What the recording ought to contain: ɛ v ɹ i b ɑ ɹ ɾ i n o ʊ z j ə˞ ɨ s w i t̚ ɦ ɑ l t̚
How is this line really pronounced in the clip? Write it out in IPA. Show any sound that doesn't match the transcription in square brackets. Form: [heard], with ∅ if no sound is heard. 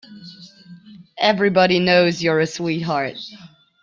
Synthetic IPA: ɛ v ɹ i b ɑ [∅] ɾ i n o ʊ z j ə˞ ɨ s w i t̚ ɦ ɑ [ɹ] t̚